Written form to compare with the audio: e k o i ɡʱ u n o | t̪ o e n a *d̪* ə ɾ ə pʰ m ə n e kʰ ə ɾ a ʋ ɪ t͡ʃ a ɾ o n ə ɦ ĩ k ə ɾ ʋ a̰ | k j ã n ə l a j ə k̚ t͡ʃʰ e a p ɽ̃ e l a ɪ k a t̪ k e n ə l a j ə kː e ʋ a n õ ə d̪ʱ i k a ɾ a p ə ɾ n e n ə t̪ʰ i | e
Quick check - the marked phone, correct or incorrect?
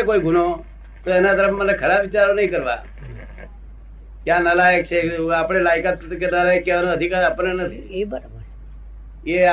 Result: incorrect